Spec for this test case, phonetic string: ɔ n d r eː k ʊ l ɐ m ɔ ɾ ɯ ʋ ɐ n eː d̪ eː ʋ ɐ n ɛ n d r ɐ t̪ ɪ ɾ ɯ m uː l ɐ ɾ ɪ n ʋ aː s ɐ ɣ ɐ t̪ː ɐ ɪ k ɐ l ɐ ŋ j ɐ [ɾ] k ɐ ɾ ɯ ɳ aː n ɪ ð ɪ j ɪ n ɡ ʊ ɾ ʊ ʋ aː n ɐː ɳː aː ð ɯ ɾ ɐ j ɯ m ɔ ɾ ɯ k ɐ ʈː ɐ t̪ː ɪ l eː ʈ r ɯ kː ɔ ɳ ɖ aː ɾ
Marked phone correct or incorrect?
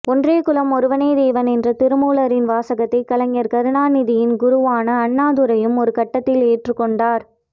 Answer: correct